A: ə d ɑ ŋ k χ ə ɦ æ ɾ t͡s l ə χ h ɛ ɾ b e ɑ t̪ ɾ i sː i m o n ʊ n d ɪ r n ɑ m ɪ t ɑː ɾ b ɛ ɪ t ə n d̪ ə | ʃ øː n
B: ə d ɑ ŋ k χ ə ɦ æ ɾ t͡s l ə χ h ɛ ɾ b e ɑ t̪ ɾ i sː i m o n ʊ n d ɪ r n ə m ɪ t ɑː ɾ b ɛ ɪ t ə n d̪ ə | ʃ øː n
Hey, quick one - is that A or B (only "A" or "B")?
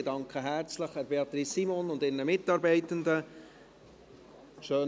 B